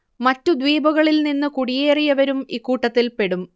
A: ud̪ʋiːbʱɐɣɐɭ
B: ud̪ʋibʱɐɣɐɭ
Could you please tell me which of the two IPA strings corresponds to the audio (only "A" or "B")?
A